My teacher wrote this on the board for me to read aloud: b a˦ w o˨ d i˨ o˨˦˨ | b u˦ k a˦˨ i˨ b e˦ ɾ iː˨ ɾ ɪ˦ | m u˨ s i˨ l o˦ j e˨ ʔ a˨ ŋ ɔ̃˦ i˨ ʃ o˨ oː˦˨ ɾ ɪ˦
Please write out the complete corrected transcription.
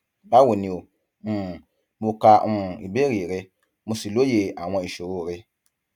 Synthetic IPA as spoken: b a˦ w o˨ n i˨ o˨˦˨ | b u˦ k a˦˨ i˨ b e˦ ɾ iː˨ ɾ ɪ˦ | m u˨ s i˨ l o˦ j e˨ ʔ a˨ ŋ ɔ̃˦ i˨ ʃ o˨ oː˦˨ ɾ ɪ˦